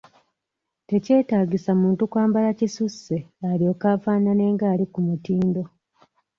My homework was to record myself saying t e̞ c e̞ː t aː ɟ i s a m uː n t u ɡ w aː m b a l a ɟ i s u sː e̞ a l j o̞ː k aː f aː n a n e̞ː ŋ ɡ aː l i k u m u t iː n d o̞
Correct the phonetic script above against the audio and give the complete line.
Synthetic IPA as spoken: t e̞ c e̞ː t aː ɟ i s a m uː n t u k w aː m b a l a c i s u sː e̞ a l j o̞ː k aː f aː n a n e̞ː ŋ ɡ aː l i k u m u t iː n d o̞